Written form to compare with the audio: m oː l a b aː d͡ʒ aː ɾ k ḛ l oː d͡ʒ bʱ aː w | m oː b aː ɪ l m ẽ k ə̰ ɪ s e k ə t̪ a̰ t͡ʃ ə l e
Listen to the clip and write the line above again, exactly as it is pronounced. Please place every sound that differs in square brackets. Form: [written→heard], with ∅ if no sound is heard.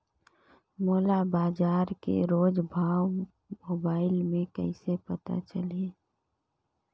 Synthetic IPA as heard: m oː l a b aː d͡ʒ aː ɾ k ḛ [l→ɾ] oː d͡ʒ bʱ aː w | m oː b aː ɪ l m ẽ k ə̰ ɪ s e [k→p] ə t̪ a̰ t͡ʃ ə l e